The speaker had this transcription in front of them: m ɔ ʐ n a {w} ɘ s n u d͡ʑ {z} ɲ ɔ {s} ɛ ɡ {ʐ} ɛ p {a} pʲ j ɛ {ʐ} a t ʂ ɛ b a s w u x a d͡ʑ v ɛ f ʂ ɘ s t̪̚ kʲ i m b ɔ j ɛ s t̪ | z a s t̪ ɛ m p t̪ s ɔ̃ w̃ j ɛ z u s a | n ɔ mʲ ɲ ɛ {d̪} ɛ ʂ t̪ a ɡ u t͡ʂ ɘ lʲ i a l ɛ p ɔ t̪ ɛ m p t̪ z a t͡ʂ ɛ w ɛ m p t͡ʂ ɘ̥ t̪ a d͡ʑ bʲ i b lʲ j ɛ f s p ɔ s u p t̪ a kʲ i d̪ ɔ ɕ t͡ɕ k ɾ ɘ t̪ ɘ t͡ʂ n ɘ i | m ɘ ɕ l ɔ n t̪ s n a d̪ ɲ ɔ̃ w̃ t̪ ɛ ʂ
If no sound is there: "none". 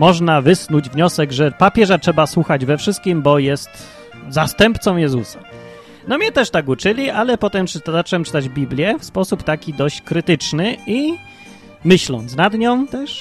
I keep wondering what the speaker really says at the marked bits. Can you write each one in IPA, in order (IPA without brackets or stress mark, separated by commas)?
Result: v, v, s, ʐ, a, ʐ, t̪